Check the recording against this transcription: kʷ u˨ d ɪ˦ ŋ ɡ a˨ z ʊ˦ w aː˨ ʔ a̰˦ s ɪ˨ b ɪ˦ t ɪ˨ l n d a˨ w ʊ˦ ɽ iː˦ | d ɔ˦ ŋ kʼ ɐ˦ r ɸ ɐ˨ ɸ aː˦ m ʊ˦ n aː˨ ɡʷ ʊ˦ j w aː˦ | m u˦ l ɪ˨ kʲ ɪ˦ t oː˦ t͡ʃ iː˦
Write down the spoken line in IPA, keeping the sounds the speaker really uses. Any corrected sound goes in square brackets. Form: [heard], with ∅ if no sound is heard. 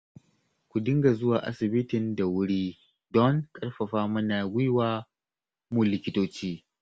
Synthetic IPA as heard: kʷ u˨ d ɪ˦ ŋ ɡ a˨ z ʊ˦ w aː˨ ʔ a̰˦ s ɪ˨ b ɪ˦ t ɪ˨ [∅] n d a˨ w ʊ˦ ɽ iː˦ | d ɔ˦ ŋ kʼ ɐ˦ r ɸ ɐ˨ ɸ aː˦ m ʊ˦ n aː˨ ɡʷ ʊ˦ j w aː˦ | m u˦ l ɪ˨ kʲ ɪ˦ t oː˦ t͡ʃ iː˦